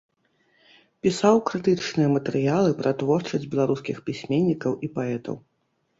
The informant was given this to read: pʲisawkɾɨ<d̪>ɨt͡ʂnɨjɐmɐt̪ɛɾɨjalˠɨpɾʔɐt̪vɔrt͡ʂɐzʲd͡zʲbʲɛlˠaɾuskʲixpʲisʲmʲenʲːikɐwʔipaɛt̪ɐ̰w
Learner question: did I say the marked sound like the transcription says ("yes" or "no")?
no